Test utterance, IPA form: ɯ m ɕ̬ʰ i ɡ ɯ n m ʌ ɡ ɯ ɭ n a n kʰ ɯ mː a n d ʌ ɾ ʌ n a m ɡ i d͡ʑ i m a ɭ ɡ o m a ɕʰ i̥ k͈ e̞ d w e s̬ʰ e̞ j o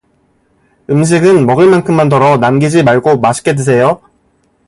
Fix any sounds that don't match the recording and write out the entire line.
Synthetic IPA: ɯ m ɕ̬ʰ i ɡ ɯ n m ʌ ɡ ɯ ɭ m a n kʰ ɯ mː a n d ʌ ɾ ʌ n a m ɡ i d͡ʑ i m a ɭ ɡ o m a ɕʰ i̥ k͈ e̞ d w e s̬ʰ e̞ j o

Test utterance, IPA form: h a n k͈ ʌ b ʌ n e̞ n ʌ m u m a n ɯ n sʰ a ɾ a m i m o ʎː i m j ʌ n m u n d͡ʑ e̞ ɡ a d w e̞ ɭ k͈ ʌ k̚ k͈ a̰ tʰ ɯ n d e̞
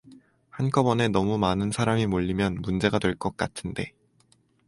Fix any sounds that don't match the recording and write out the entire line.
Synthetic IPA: h a n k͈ ʌ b ʌ n e̞ n ʌ m u m a n ɯ n sʰ a ɾ a m i m o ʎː i m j ʌ n m u n d͡ʑ e̞ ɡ a d w e̞ ɭ k͈ ʌ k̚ k͈ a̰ tʰ ɯ n d e̞

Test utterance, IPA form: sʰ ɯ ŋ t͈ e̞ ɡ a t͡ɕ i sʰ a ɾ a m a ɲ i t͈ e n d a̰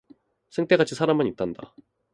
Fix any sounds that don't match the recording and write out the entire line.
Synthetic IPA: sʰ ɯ ŋ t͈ e̞ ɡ a t͡ɕʰ i sʰ a ɾ a m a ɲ i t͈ a n d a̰

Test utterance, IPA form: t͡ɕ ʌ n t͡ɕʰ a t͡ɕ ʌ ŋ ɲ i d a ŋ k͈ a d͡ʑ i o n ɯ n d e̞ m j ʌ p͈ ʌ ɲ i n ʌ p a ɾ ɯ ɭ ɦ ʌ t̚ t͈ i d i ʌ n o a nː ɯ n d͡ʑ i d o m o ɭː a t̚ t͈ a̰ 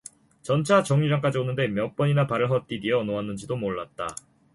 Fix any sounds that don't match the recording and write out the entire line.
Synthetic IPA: t͡ɕ ʌ n t͡ɕʰ a t͡ɕ ʌ ŋ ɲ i d͡ʑ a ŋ k͈ a d͡ʑ i o n ɯ n d e̞ m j ʌ p͈ ʌ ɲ i n a p a ɾ ɯ ɭ ɦ ʌ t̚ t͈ i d i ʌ n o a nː ɯ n d͡ʑ i d o m o ɭː a t̚ t͈ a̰

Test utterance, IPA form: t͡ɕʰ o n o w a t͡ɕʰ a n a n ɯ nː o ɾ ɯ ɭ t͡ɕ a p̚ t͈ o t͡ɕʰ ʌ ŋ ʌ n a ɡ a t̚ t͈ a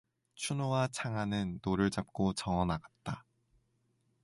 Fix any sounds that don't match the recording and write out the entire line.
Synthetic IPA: t͡ɕʰ u n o w a t͡ɕʰ a ŋ a n ɯ nː o ɾ ɯ ɭ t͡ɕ a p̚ k͈ o t͡ɕ ʌ ŋ ʌ n a ɡ a t̚ t͈ a

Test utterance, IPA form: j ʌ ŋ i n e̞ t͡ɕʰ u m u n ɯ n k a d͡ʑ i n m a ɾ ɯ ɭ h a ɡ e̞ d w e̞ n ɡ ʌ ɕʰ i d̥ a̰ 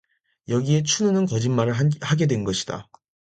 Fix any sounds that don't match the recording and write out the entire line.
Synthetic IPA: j ʌ ɡ i e̞ t͡ɕʰ u n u n ɯ n k ʌ d͡ʑ i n m a ɾ ɯ ɭ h a ɡ e̞ d w e̞ n ɡ ʌ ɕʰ i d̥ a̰

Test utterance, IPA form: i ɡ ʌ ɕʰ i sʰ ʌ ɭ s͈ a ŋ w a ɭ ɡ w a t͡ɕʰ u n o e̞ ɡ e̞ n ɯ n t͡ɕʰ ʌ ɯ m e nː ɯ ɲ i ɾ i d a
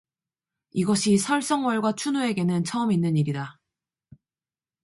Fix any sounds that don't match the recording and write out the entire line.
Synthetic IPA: i ɡ ʌ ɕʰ i sʰ ʌ ɭ s͈ ʌ ŋ w ʌ ɭ ɡ w a t͡ɕʰ u n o e̞ ɡ e̞ n ɯ n t͡ɕʰ ʌ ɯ m i nː ɯ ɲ i ɾ i d a

